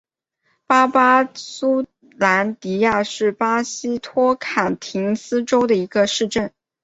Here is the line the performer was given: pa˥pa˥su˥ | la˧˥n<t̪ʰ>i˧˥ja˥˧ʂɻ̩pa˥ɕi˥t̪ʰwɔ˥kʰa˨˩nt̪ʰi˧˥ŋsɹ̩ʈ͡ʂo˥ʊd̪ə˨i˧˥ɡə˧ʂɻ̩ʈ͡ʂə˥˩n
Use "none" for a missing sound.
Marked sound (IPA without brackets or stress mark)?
t̪